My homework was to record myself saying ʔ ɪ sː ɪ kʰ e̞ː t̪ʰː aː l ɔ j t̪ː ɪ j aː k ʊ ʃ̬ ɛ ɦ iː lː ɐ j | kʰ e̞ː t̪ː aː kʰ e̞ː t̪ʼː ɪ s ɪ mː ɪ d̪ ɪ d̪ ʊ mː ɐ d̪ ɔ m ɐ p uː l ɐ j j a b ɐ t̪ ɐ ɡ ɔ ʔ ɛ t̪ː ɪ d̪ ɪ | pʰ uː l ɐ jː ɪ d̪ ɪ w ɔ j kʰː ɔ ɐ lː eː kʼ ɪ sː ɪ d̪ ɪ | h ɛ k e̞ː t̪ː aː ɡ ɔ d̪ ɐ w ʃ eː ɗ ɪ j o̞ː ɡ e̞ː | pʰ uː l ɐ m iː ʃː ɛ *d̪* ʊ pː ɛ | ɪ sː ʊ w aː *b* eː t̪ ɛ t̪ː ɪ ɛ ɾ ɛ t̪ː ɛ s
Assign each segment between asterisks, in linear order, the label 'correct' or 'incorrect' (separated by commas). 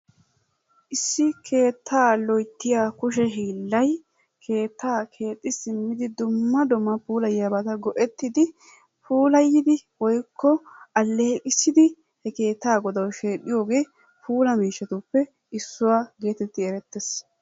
incorrect, incorrect